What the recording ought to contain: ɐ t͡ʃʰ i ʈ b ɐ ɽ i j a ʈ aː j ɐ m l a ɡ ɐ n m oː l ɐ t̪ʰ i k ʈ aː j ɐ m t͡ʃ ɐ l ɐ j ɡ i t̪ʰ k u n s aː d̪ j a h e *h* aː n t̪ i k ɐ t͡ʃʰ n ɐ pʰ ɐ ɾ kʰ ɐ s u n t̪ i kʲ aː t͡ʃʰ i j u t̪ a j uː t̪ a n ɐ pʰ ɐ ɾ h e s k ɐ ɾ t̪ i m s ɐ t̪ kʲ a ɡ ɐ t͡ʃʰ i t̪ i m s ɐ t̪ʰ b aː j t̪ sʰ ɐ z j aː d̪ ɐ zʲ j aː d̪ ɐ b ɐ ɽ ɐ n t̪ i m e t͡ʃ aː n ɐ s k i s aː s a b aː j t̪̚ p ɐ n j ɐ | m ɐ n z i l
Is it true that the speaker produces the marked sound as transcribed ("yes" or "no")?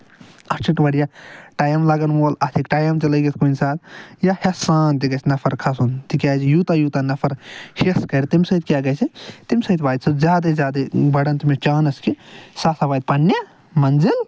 no